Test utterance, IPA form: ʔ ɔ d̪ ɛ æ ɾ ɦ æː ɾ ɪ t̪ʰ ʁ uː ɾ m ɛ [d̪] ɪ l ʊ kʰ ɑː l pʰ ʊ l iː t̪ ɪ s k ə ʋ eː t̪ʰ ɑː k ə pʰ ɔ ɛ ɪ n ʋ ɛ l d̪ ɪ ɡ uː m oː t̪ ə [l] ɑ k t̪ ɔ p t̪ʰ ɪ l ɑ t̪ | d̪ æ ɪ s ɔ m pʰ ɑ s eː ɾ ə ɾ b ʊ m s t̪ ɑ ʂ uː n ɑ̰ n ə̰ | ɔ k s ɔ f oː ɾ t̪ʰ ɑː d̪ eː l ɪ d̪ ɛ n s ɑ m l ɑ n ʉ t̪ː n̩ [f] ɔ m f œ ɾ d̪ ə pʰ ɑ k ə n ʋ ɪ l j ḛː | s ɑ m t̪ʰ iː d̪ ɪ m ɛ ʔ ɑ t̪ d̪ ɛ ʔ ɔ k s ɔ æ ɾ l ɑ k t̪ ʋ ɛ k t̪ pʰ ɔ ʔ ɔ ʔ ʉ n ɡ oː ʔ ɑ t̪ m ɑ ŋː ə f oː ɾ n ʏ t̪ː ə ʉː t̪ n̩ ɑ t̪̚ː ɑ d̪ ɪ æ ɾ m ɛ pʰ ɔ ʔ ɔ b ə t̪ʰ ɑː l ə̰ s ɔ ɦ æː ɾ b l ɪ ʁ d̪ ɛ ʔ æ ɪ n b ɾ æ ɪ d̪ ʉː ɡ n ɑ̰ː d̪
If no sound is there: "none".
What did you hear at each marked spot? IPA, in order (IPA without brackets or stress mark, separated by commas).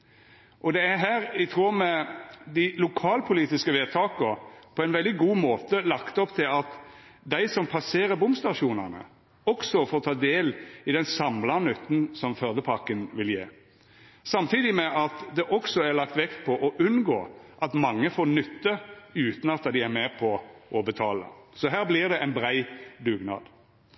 d̪, l, s